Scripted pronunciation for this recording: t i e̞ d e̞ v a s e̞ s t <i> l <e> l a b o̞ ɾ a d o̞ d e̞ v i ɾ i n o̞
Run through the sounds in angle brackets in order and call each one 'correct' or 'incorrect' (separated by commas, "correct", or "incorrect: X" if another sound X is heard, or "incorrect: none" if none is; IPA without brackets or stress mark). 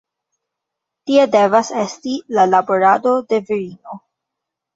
correct, incorrect: a